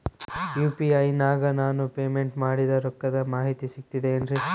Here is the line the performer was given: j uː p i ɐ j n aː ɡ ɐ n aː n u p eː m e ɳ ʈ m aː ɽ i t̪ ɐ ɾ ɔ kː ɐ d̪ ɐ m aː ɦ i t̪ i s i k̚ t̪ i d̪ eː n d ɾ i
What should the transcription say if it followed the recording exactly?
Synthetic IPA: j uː p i ɐ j n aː ɡ ɐ n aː n u p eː m e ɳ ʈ m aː ɽ i d̪ ɐ ɾ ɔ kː ɐ d̪ ɐ m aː ɦ i t̪ i s i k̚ t̪ i d̪ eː n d ɾ i